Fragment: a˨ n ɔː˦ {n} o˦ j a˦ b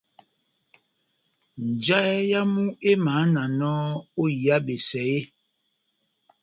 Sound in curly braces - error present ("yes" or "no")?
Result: yes